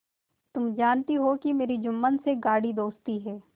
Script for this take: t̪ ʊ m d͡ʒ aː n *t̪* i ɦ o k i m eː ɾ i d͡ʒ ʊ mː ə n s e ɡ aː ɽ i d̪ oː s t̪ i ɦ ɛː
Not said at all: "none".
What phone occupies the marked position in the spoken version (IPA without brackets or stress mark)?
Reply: t̪